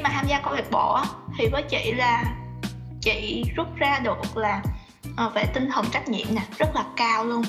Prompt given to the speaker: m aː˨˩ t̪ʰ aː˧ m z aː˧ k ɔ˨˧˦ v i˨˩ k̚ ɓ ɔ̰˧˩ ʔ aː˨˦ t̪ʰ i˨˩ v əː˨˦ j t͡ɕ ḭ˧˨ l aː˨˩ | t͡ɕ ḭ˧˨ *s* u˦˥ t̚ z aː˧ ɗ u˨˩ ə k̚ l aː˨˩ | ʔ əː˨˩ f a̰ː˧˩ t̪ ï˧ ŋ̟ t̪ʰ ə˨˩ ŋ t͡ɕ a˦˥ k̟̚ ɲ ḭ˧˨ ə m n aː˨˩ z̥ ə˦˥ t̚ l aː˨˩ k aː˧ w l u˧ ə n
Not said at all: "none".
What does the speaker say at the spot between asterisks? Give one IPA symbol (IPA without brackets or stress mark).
z